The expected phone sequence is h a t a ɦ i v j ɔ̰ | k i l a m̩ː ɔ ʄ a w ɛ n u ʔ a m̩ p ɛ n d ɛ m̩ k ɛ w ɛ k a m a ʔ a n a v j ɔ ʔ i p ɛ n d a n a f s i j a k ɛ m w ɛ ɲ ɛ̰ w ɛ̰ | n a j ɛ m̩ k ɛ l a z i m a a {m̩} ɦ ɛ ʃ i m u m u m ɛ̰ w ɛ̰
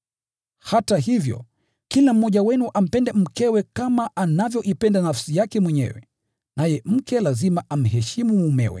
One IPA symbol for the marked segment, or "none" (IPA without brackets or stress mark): m̩